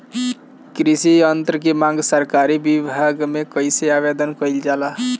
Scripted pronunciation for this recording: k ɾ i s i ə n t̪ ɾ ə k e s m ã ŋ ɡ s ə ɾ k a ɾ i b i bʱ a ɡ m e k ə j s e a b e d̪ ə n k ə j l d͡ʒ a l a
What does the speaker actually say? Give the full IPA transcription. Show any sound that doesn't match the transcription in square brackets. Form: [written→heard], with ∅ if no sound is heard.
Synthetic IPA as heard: k ɾ i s i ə n t̪ ɾ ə k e [s→∅] m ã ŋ ɡ s ə ɾ k a ɾ i b i bʱ a ɡ m e k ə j s e a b e d̪ ə n k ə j l d͡ʒ a l a